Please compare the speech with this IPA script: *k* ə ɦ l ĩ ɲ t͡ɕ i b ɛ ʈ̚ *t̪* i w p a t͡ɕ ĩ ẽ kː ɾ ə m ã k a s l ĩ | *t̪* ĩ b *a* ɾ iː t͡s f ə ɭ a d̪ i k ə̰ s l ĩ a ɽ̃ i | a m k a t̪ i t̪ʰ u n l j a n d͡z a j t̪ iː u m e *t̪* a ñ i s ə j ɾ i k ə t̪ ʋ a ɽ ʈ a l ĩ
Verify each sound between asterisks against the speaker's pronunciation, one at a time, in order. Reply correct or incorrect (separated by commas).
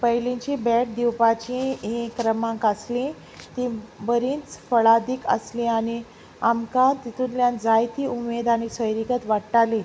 incorrect, incorrect, correct, incorrect, incorrect